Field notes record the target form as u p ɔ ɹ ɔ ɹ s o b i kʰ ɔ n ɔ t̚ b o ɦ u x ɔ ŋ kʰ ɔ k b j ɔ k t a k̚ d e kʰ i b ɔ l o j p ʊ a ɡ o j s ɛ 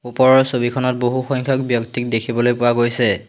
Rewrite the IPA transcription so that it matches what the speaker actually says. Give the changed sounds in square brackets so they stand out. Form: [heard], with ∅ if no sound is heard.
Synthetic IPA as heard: u p ɔ ɹ ɔ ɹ s o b i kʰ ɔ n ɔ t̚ b o ɦ u x ɔ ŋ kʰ ɔ k b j ɔ k t [i] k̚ d e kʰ i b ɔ l o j p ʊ a ɡ o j s ɛ